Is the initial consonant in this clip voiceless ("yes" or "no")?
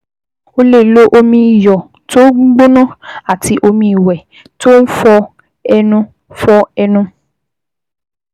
no